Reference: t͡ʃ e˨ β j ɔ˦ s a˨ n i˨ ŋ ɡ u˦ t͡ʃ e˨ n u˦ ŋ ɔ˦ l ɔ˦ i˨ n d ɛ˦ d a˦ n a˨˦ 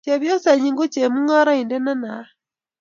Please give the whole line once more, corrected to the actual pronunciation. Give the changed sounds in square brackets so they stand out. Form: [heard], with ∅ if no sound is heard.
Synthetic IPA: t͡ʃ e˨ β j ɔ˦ s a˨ [ɲ] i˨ ŋ ɡ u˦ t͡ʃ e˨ [m] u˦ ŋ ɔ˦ [ɾ] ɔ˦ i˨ n d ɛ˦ [n] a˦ n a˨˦